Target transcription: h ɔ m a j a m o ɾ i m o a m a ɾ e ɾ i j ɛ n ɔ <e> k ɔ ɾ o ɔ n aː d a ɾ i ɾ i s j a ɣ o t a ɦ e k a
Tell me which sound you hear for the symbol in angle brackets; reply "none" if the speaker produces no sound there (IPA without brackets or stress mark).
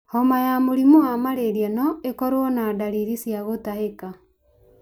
e